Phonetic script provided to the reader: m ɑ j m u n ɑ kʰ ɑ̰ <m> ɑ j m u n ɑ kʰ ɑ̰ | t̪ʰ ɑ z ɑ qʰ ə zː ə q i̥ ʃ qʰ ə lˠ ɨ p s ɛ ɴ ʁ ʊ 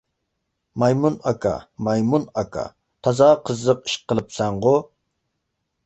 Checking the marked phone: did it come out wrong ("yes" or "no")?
no